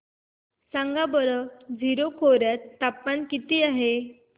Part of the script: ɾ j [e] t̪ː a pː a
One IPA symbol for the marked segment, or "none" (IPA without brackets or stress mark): a